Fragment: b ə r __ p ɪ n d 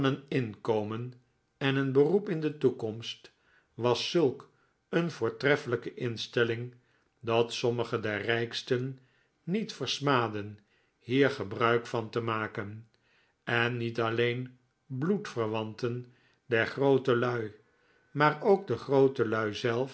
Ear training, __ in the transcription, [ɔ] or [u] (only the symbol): u